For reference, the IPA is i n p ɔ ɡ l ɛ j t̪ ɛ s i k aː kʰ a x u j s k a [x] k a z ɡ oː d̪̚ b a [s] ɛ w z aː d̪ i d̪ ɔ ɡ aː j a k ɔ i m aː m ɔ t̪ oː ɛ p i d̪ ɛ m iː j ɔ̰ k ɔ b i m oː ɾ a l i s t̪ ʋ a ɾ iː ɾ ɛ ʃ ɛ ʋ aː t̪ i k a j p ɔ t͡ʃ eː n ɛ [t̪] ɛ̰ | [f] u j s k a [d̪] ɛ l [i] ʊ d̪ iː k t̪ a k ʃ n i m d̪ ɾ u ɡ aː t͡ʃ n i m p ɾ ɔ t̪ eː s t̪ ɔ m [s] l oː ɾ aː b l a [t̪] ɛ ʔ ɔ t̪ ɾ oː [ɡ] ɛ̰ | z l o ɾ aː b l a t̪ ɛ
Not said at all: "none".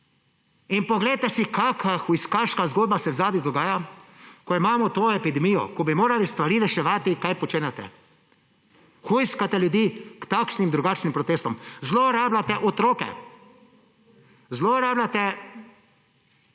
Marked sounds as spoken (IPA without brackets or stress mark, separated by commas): ʃ, s, t̪, x, t̪, j, z, t̪, k